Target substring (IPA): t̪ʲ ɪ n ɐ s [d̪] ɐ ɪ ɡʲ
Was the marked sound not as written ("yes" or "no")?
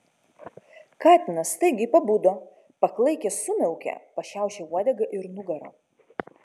yes